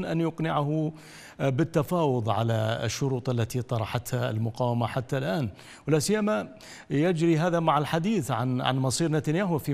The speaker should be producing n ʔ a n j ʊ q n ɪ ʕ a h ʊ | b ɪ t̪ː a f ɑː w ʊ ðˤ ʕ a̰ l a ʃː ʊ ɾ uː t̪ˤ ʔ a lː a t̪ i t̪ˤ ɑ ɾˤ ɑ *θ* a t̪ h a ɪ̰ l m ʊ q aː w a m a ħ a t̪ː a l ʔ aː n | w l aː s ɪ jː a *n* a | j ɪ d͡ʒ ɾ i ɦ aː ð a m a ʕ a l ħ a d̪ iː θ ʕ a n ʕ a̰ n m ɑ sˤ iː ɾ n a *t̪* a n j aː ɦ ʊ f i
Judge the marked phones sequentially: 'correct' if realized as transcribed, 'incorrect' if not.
incorrect, incorrect, correct

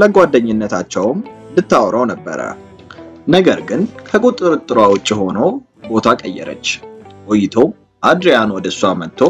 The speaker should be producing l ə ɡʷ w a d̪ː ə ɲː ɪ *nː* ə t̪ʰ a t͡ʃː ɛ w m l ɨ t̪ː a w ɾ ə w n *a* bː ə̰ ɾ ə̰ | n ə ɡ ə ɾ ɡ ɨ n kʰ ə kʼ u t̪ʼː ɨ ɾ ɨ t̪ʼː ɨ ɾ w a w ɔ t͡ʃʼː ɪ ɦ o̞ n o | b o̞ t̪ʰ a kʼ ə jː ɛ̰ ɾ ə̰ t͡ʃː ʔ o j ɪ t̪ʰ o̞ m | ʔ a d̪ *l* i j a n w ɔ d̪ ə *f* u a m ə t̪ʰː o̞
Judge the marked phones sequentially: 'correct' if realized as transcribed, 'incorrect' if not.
correct, incorrect, incorrect, incorrect

